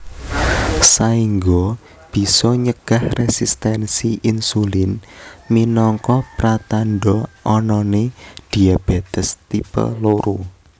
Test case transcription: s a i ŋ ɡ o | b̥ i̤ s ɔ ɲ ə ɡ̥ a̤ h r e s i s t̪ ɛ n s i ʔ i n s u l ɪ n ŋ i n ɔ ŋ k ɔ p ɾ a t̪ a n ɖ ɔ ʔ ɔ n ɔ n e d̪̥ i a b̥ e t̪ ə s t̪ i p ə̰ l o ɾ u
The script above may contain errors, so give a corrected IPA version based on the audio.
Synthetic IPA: s a i ŋ ɡ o | b̥ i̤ s ɔ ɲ ə ɡ̥ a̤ h r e s i s t̪ ɛ n s i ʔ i n s u l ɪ n m i n ɔ ŋ k ɔ p ɾ a t̪ a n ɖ ɔ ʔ ɔ n ɔ n e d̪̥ i a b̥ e t̪ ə s t̪ i p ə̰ l o ɾ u